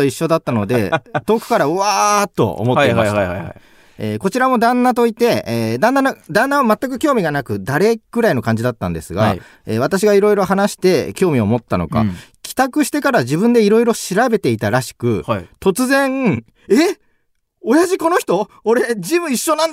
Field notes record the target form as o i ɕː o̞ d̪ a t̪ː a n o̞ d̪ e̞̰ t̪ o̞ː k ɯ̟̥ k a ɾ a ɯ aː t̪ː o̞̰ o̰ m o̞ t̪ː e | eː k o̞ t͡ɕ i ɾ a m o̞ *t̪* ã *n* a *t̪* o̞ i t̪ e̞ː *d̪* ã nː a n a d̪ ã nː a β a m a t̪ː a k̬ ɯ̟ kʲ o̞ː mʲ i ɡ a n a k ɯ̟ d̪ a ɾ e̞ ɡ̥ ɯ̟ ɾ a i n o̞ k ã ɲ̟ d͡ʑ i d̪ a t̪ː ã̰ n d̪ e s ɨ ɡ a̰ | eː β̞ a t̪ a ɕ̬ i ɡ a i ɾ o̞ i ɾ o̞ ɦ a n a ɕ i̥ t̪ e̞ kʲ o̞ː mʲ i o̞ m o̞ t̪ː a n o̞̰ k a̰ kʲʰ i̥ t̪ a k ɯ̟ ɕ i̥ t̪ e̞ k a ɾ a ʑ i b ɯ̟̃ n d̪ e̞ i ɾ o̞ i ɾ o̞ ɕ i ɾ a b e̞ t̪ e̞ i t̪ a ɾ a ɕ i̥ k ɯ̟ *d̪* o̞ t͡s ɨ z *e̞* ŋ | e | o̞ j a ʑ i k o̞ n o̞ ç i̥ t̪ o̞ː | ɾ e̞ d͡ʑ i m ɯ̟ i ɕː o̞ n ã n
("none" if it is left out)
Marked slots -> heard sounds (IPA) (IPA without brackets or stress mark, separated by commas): d̪, nː, t̪, d̪, t̪, ẽ̞